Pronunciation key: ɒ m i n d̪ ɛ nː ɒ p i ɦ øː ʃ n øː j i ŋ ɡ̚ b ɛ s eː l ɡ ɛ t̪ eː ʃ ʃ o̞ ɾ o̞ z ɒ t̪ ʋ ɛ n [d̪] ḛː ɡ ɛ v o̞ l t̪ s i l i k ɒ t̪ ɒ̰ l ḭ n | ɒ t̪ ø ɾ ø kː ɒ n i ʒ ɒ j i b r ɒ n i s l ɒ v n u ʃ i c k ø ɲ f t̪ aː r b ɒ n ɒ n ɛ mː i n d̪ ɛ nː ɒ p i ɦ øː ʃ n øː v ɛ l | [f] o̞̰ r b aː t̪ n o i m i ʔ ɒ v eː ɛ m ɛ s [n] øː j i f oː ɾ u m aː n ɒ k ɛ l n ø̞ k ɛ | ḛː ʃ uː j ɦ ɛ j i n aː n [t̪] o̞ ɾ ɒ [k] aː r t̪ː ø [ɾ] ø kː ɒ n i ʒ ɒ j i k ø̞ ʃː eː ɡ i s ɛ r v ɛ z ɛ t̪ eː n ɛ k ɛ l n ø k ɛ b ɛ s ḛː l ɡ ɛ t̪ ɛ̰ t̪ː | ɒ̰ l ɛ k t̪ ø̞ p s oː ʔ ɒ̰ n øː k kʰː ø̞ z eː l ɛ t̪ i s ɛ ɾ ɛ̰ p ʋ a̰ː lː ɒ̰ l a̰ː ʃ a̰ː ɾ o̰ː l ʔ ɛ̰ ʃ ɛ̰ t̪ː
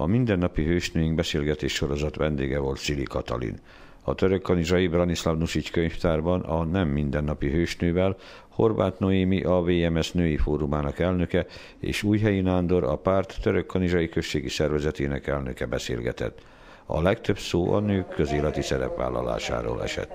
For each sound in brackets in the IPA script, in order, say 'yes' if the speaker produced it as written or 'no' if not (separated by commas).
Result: yes, no, yes, no, no, yes